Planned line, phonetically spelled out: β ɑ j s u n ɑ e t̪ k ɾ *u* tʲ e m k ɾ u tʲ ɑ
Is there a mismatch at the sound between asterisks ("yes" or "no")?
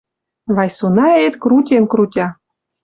no